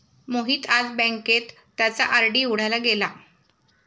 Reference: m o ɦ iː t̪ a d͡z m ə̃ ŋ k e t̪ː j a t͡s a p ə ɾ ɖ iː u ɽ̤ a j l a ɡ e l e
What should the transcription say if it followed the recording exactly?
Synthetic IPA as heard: m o ɦ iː t̪ a d͡z b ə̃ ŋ k e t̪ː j a t͡s a ʔ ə ɾ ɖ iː u ɽ̤ a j l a ɡ e l a

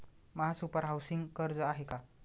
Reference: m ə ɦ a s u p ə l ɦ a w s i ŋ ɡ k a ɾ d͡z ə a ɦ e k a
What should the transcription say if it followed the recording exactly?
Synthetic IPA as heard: m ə ɦ a s u p ə ɾ ɦ a w s i ŋ ɡ k ə ɾ d͡z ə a ɦ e k a

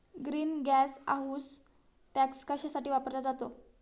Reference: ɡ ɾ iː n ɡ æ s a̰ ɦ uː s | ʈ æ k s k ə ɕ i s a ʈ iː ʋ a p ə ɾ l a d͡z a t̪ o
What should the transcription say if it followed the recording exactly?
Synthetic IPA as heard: ɡ ɾ iː n ɡ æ s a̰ ɦ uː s | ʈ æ k s k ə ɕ a s a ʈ iː ʋ a p ə ɾ l a d͡z a t̪ o

